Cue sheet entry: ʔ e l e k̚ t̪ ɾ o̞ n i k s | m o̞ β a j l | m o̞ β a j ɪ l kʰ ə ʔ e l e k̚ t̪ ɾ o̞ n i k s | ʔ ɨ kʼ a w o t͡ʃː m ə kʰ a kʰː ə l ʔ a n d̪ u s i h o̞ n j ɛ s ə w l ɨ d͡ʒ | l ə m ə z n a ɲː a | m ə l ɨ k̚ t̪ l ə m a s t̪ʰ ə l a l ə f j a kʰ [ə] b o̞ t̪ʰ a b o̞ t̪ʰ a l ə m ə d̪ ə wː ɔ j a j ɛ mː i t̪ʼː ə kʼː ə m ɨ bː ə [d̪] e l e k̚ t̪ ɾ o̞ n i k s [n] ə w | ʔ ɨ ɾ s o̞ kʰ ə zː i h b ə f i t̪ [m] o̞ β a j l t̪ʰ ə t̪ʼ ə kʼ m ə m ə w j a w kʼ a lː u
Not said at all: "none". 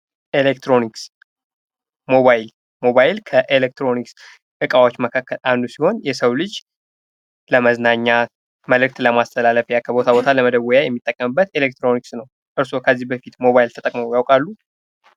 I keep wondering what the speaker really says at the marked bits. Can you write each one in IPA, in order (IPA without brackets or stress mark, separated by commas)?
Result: ə, t̪, n, m